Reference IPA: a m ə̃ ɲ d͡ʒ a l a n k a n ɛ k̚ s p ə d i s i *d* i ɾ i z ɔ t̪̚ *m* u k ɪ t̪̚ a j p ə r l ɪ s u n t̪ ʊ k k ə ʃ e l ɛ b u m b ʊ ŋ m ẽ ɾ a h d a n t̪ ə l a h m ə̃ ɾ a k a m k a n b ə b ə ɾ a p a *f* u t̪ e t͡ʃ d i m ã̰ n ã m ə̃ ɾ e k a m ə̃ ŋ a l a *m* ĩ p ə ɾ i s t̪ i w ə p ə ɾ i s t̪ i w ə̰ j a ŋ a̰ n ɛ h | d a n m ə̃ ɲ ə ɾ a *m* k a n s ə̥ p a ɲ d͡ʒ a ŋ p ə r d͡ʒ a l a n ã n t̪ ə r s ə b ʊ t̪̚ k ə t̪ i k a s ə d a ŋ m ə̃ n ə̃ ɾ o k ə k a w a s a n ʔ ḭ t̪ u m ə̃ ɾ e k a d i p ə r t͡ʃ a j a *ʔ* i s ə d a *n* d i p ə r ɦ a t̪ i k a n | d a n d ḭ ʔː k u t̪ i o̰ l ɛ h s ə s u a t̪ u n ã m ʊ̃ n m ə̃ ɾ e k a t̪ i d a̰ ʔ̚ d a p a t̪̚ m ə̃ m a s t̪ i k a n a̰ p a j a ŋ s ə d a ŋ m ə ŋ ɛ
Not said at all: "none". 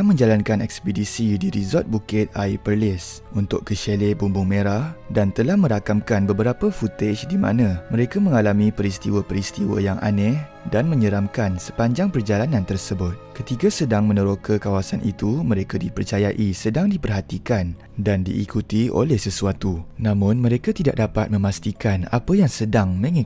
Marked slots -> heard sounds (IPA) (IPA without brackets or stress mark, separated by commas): d, b, f, m, m, ʔ, ŋ